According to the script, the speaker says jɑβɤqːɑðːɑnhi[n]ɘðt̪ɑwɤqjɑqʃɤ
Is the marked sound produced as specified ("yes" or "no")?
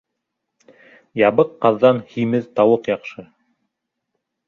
no